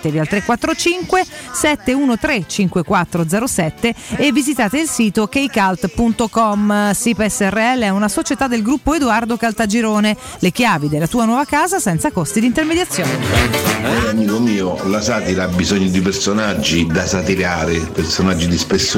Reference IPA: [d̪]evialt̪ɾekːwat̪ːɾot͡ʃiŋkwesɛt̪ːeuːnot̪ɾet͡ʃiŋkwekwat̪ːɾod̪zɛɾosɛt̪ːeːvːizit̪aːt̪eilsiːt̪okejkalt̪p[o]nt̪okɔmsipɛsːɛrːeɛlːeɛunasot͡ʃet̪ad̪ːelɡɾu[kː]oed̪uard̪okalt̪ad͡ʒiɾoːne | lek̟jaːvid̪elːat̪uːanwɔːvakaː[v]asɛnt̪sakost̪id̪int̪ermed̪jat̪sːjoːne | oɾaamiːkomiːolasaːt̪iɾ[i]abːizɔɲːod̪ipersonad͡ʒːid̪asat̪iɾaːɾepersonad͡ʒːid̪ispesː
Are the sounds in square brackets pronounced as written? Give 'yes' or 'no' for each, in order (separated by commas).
no, no, no, no, no